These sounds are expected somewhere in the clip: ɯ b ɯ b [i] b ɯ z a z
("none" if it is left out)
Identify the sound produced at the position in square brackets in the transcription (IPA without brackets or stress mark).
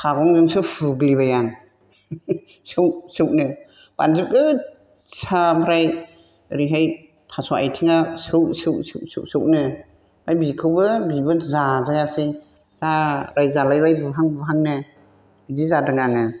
i